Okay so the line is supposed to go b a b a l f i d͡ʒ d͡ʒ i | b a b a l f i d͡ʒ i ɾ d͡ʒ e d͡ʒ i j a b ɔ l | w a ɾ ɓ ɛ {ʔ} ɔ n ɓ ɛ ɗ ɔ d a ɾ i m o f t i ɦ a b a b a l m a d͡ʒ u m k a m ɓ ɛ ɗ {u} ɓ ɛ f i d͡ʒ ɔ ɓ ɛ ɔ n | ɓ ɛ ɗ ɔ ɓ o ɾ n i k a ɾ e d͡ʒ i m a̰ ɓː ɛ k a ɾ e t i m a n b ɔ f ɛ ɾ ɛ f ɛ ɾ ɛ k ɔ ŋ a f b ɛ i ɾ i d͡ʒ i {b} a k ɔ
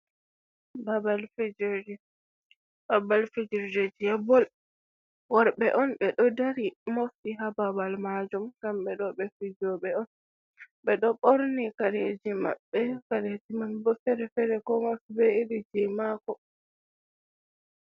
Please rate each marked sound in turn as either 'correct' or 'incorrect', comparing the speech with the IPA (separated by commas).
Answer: correct, incorrect, incorrect